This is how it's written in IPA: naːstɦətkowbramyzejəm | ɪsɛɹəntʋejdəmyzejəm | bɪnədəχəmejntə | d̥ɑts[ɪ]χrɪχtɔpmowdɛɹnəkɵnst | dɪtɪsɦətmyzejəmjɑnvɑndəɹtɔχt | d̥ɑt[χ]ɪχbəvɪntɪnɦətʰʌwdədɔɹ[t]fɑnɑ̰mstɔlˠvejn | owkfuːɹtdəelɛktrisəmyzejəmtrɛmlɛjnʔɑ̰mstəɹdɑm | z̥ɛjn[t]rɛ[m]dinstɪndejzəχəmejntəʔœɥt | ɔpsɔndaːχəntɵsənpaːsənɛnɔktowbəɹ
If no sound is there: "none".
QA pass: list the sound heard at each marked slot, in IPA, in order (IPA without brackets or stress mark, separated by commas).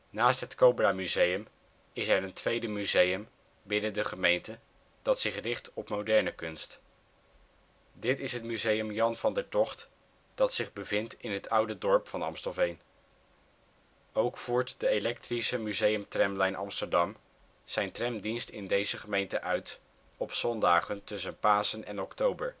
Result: ɪ, s, p, t, m